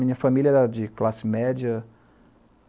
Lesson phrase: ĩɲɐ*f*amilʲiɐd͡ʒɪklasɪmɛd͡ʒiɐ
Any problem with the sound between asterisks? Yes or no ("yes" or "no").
no